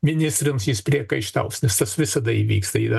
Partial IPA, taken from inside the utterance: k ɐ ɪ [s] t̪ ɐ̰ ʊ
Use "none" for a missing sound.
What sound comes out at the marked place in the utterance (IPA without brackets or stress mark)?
ʃ